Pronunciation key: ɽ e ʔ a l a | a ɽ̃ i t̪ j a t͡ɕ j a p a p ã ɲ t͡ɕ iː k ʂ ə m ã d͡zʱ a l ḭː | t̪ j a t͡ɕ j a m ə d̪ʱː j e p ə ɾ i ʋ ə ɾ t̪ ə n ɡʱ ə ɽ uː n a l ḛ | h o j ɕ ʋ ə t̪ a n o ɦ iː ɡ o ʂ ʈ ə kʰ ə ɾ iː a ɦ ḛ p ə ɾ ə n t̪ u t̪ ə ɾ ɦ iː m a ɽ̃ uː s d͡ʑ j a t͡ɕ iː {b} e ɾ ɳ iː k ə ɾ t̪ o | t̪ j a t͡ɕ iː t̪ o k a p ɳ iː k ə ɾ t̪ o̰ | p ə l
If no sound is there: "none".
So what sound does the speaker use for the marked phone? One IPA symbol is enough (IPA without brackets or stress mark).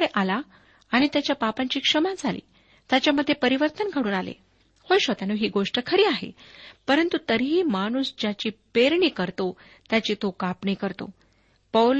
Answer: p